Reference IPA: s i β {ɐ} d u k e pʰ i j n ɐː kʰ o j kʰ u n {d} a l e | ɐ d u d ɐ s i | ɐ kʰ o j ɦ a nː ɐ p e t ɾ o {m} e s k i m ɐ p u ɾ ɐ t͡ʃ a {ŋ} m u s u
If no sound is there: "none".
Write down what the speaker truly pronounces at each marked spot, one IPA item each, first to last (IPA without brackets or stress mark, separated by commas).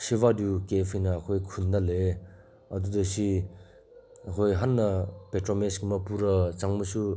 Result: a, d, m, ŋ